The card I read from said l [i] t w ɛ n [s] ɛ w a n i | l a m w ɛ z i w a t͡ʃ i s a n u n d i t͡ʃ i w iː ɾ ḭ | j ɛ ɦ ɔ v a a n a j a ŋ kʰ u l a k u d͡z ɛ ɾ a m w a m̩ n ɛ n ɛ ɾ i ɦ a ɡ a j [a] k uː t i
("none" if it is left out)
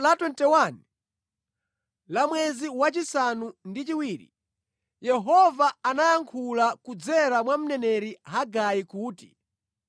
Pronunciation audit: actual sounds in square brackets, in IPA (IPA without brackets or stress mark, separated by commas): a, t, i